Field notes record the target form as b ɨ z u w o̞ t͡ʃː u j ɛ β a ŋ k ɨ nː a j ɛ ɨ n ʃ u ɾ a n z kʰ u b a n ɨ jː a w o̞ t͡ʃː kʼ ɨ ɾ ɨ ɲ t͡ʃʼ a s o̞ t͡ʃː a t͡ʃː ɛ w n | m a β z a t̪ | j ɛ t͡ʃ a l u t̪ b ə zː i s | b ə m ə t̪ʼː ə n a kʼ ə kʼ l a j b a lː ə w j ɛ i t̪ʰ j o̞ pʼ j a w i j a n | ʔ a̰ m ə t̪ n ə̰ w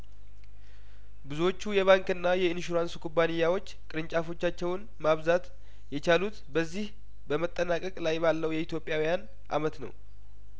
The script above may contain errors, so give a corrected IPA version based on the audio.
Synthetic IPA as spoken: b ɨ z u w o̞ t͡ʃː u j ɛ β a ŋ k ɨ nː a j ɛ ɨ n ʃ u ɾ a n s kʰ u b a n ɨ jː a w o̞ t͡ʃː kʼ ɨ ɾ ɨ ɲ t͡ʃʼ a f o̞ t͡ʃː a t͡ʃː ɛ w n | m a β z a t̪ | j ɛ t͡ʃ a l u t̪ b ə zː i h | b ə m ə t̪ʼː ə n a kʼ ə kʼ l a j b a lː ə w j ɛ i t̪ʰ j o̞ pʼ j a w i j a n | ʔ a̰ m ə t̪ n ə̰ w